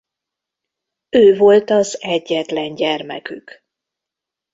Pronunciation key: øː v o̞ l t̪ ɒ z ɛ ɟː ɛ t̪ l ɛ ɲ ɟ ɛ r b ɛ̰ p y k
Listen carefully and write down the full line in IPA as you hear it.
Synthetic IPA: øː v o̞ l t̪ ɒ z ɛ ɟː ɛ t̪ l ɛ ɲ ɟ ɛ r m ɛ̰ k y k